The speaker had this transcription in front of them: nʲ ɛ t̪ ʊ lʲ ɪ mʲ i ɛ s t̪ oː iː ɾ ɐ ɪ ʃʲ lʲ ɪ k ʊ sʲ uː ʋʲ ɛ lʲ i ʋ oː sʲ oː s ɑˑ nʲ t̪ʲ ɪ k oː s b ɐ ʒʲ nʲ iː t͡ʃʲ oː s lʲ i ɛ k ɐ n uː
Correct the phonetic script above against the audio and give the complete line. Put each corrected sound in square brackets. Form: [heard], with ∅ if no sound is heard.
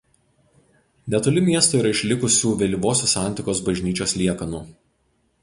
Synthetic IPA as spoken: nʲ ɛ t̪ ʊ lʲ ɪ mʲ i ɛ s t̪ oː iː ɾ ɐ ɪ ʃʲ lʲ ɪ k ʊ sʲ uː ʋʲ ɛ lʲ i ʋ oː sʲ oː s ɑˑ nʲ t̪ʲ ɪ k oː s b ɐ ʒʲ nʲ iː t͡ʃʲ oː s lʲ i ɛ k ɐ n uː

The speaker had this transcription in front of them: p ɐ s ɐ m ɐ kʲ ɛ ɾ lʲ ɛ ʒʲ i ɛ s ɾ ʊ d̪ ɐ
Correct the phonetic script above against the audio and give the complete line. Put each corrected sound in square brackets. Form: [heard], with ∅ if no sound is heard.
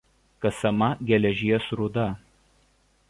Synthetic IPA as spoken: [k] ɐ s ɐ m ɐ [ɡʲ] ɛ [∅] lʲ ɛ ʒʲ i ɛ s ɾ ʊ d̪ ɐ

